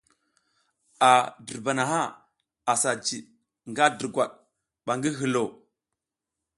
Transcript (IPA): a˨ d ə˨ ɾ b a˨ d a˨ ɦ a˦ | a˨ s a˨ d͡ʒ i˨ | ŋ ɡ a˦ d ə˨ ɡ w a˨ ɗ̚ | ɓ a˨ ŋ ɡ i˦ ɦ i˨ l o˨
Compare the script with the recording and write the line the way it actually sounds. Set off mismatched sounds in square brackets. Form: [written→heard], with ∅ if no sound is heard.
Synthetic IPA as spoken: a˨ d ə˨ ɾ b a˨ [d→n] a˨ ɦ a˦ | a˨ s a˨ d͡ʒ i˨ | ŋ ɡ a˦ d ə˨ ɡ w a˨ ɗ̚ | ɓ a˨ ŋ ɡ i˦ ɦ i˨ l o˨